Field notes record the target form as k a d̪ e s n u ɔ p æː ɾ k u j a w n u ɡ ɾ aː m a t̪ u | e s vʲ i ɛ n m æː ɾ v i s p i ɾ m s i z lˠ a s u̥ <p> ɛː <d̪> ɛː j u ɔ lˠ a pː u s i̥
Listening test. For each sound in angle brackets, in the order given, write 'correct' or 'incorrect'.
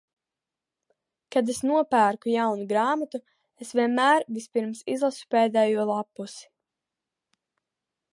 correct, correct

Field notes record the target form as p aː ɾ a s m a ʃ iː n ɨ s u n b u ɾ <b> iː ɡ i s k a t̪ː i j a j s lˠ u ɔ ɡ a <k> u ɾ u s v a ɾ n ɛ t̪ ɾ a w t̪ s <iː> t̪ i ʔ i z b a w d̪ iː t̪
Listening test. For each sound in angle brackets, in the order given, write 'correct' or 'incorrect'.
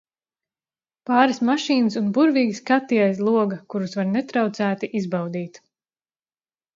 incorrect, correct, incorrect

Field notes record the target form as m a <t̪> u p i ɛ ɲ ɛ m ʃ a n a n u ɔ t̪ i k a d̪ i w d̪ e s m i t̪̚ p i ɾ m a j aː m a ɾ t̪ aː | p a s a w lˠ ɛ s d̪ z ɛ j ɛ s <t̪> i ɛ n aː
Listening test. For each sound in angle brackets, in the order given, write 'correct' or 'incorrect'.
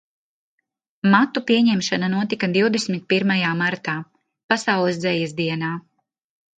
correct, incorrect

